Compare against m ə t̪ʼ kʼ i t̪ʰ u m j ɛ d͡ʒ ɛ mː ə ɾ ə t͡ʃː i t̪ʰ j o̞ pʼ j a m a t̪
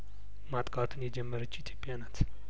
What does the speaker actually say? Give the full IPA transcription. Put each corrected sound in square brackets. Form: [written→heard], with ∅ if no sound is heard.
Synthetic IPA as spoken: m [ə→a] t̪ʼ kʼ [i→a] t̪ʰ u [m→n] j ɛ d͡ʒ ɛ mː ə ɾ ə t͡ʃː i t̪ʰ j o̞ pʼ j a [m→n] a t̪